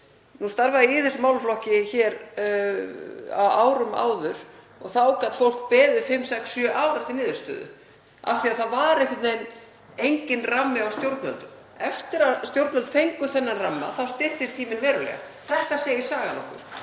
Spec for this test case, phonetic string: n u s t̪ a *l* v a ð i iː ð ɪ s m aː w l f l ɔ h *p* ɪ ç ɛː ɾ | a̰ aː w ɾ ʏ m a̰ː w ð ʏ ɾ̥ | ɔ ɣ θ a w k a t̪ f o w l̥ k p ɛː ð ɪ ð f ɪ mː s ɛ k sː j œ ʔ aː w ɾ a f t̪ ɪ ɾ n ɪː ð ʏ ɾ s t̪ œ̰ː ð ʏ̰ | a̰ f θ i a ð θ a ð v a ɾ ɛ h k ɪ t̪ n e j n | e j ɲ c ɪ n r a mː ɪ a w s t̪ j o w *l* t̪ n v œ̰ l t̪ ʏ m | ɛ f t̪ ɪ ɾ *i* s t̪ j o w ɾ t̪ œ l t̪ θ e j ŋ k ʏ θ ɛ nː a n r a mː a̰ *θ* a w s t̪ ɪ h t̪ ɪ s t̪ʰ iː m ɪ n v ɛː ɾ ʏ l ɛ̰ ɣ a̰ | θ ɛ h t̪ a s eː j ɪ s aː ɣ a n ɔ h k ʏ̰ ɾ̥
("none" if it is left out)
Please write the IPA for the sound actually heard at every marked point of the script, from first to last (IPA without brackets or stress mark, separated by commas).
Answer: ɾ, c, ɾ, a, θ